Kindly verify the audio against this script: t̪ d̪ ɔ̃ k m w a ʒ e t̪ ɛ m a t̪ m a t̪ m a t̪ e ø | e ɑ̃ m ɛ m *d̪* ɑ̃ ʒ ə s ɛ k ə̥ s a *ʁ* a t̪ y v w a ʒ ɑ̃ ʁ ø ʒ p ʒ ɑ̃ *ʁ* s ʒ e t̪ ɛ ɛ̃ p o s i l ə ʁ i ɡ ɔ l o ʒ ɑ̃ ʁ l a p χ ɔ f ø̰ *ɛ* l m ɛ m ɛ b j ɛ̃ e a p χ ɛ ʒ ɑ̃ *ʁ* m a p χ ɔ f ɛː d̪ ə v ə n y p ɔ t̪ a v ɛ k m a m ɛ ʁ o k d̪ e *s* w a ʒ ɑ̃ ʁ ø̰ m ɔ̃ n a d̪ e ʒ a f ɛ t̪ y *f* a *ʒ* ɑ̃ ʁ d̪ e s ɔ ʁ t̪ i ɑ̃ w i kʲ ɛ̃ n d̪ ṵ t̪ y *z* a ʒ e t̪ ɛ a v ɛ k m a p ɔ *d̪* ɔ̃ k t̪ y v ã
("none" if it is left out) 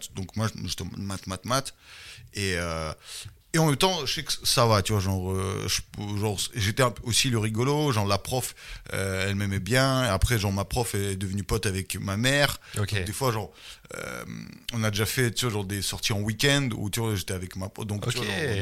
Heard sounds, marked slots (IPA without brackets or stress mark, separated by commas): t̪, v, ʁ, ɛ, ʁ, f, v, ʒ, v, d̪